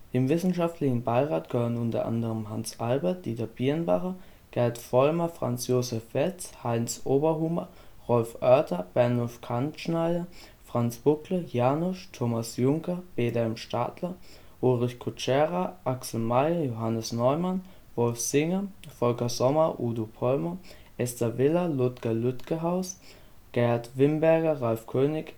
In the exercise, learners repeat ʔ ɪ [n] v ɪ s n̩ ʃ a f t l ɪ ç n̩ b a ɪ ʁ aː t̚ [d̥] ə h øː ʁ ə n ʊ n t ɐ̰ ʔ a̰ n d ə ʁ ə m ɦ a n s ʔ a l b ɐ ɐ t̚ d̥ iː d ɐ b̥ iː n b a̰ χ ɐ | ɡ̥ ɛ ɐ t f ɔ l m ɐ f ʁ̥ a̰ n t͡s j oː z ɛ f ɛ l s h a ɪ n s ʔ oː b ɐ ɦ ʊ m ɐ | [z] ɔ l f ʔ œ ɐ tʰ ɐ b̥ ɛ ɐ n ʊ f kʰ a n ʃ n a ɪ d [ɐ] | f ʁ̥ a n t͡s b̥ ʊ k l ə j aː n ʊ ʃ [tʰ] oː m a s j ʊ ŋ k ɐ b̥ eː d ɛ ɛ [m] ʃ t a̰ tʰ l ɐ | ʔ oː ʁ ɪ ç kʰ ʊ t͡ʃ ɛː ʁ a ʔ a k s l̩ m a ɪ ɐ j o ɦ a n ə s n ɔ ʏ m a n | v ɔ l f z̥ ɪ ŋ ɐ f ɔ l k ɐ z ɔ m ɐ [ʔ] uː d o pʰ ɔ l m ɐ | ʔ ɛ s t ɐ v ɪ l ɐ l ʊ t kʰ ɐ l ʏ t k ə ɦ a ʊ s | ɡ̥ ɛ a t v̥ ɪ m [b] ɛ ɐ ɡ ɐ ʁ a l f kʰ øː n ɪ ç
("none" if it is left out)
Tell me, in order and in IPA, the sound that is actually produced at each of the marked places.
m, ɡ̥, ʁ, ɐ, tʰ, m, ʔ, b

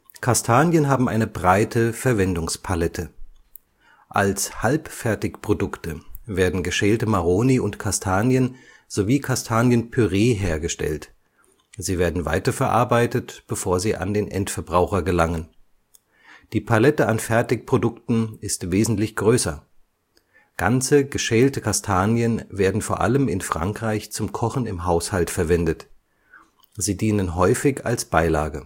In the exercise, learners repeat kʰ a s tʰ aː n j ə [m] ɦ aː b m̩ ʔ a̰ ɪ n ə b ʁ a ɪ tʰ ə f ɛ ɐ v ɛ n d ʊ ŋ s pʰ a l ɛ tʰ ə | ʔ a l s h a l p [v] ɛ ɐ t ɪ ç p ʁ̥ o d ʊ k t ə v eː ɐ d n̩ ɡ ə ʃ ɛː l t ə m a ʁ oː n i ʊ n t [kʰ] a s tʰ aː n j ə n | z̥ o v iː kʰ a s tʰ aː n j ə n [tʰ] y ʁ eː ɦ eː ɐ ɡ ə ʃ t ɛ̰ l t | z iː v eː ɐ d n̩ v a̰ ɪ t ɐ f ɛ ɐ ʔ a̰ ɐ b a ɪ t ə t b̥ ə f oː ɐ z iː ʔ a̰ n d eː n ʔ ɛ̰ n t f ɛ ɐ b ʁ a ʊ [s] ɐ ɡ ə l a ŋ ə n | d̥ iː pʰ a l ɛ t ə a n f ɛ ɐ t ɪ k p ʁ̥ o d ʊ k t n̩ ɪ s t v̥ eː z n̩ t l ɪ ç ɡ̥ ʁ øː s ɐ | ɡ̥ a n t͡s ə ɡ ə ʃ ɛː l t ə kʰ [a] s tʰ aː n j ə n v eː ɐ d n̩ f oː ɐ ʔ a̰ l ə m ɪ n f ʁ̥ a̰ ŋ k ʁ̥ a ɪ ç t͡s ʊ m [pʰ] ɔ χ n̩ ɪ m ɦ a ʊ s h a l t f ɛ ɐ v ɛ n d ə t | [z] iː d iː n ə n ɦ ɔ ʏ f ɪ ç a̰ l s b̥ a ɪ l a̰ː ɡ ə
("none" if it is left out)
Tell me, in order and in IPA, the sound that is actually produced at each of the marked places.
n, f, kʰ, pʰ, x, a, kʰ, z

